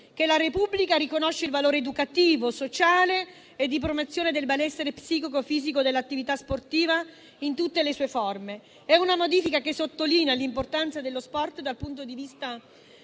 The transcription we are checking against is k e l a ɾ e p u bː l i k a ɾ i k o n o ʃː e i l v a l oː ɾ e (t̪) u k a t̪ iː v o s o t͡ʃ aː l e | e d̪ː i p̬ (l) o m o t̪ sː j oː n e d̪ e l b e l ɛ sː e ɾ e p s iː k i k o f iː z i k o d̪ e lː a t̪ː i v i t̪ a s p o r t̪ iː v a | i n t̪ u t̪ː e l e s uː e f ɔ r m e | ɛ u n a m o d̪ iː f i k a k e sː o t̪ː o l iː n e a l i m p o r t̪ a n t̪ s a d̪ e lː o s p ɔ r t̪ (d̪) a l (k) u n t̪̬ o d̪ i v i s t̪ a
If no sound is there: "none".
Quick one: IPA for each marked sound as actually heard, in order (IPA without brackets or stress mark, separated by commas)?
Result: d̪, ɾ, d̪, p